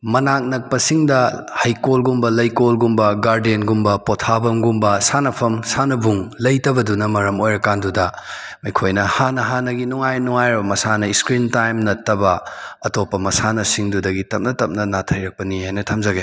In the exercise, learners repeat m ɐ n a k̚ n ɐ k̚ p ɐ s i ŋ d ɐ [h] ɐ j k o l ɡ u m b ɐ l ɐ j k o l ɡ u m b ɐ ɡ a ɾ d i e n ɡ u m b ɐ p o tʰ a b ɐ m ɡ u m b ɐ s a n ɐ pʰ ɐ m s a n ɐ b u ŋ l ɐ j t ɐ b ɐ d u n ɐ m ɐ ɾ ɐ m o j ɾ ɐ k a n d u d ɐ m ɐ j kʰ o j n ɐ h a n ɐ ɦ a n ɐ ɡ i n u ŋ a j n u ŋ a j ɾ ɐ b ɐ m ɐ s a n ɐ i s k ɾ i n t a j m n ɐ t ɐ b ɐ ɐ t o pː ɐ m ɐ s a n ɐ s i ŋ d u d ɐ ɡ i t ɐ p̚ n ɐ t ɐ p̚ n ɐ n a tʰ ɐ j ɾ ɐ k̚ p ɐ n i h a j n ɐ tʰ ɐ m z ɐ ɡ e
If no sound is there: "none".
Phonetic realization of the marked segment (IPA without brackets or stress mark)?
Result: h